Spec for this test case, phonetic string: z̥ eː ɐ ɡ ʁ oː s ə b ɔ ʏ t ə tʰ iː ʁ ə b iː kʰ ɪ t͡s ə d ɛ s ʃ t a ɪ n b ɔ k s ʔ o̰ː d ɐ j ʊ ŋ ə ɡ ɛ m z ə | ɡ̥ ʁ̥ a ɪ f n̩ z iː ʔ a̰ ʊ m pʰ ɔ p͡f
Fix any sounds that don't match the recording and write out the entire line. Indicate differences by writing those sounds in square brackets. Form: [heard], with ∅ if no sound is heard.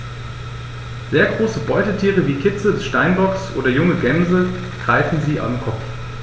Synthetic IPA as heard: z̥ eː ɐ ɡ ʁ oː s ə b ɔ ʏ t ə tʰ iː ʁ ə [v] iː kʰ ɪ t͡s ə d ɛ s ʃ t a ɪ n b ɔ k s ʔ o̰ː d ɐ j ʊ ŋ ə ɡ ɛ m z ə | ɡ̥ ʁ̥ a ɪ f n̩ z iː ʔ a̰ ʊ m [kʰ] ɔ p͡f